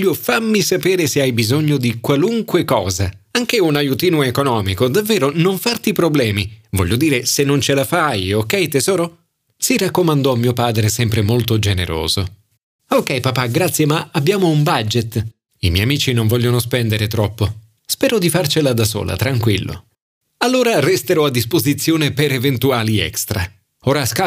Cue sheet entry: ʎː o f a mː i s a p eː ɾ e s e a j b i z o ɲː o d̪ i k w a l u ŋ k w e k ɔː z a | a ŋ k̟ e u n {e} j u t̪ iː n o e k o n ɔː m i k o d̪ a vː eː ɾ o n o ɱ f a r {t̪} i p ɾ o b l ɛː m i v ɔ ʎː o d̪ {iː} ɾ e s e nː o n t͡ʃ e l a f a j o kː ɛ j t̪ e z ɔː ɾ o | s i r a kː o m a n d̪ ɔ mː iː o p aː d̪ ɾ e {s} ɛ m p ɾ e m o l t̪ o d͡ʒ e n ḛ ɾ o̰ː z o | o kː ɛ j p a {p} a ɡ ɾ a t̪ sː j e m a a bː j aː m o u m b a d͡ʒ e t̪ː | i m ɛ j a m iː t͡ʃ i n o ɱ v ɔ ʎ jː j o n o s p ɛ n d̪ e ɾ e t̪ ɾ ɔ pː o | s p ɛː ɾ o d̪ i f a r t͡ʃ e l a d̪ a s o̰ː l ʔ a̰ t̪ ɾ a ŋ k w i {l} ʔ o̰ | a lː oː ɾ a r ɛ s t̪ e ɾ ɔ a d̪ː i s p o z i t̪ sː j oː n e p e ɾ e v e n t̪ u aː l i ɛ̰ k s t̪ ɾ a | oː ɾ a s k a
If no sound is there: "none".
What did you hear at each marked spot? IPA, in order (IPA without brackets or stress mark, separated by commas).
a, t̪, iː, s, p, lː